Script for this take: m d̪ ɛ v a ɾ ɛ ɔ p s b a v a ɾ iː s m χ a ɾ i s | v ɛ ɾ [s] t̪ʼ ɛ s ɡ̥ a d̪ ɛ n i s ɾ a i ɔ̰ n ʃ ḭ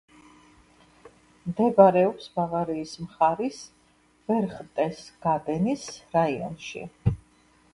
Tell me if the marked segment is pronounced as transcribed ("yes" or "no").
no